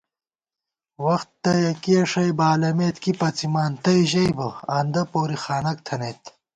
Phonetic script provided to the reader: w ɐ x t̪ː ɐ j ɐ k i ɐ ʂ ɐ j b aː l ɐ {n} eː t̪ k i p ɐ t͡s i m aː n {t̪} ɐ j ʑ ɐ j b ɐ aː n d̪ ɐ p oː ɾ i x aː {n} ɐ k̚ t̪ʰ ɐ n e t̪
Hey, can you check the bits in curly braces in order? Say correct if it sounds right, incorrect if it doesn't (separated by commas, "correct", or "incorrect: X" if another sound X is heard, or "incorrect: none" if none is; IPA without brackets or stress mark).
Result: incorrect: m, correct, correct